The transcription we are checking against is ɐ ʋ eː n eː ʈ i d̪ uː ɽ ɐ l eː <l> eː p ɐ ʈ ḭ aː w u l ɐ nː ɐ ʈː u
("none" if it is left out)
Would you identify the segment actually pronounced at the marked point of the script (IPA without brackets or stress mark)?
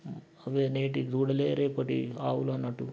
ɾ